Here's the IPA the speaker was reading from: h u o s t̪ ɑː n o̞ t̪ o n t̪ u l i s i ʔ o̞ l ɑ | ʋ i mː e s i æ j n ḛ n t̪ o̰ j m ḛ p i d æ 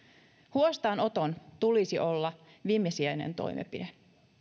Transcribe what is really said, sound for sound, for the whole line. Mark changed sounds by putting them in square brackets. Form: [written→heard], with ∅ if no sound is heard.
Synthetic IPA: h u o s t̪ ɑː n o̞ t̪ o n t̪ u l i s i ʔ o̞ [l→lː] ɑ | ʋ i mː e s i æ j n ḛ n t̪ o̰ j m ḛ p i d [æ→e]